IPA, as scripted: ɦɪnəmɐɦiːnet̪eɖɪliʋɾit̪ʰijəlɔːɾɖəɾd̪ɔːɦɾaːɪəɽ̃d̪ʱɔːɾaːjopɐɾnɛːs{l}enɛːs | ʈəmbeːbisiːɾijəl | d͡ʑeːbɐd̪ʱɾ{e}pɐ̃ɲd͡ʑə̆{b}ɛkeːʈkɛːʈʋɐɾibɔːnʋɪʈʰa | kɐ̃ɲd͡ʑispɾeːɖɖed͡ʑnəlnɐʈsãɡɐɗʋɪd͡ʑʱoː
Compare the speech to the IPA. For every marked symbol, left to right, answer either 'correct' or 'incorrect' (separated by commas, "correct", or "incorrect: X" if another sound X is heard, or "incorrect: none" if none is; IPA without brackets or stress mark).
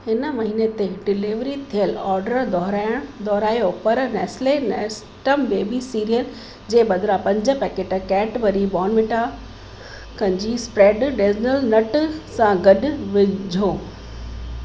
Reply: correct, incorrect: a, incorrect: p